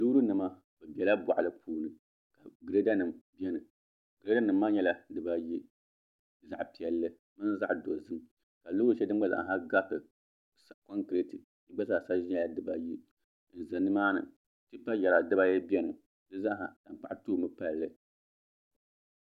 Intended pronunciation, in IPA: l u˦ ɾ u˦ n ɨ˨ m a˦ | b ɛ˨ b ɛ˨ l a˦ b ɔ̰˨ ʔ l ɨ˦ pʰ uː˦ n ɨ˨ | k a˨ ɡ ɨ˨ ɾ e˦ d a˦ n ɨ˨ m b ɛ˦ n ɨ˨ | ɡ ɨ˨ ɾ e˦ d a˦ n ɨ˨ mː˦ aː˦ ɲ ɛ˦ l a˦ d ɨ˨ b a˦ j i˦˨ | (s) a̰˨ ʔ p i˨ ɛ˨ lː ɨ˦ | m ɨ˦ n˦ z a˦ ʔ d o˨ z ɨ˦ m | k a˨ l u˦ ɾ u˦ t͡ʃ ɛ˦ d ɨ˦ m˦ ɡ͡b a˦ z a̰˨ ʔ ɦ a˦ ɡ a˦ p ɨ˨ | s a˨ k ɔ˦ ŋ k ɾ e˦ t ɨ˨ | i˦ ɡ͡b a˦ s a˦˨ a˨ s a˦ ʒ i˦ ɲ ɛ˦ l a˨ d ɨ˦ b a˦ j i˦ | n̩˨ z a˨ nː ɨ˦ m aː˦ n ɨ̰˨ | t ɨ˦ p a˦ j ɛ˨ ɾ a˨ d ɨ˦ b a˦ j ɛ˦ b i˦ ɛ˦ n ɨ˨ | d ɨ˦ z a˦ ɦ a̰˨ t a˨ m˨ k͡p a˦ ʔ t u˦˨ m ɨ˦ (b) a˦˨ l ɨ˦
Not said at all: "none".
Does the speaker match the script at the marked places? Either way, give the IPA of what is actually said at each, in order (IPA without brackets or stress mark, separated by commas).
z, p